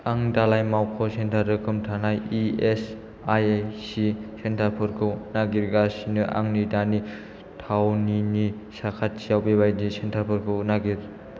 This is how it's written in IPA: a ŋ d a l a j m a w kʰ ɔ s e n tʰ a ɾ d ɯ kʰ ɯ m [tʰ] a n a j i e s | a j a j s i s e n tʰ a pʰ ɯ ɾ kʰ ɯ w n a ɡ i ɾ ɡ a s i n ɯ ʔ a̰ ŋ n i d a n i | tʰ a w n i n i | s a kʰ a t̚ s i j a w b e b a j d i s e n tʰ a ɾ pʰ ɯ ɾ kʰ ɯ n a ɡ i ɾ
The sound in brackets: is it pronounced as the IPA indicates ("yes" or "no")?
yes